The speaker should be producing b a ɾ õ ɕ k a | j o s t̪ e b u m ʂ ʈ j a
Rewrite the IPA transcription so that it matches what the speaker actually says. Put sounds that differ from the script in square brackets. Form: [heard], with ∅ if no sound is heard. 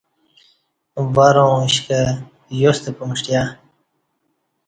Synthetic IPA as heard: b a ɾ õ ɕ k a | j o s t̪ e [p] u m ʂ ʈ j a